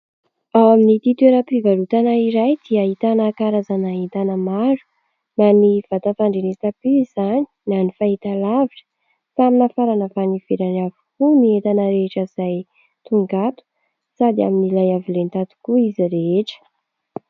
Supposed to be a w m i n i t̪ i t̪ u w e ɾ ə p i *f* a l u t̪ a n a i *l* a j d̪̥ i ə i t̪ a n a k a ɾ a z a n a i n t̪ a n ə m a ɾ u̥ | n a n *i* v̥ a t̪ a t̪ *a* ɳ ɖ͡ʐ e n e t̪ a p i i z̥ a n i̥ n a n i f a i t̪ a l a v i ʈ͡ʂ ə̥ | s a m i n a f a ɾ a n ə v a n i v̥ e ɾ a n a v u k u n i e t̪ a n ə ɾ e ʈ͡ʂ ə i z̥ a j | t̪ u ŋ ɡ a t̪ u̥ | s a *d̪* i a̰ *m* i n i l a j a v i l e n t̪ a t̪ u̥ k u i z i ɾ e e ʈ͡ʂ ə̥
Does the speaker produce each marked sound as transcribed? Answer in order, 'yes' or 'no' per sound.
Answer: no, no, yes, yes, yes, yes

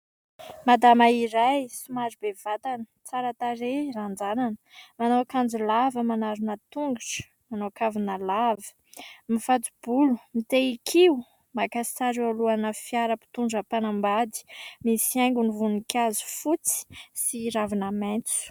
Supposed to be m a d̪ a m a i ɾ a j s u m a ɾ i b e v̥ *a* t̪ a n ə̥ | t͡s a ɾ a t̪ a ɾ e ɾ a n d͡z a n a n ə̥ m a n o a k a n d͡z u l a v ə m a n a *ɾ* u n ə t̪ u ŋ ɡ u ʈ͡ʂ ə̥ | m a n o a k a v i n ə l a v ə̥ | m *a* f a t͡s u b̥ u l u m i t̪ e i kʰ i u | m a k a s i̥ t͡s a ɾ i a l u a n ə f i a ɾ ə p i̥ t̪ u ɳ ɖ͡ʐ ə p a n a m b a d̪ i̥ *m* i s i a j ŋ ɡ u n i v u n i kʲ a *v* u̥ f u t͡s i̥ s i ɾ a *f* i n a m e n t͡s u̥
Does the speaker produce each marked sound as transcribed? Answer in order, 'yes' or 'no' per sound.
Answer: yes, yes, no, yes, no, no

